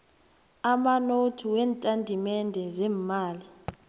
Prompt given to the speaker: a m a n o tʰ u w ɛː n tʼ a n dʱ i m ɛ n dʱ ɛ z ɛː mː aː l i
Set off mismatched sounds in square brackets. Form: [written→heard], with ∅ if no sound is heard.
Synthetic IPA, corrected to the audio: a m a n o tʰ u w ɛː n tʼ a n dʱ i m ɛ n dʱ ɛ z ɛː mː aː l i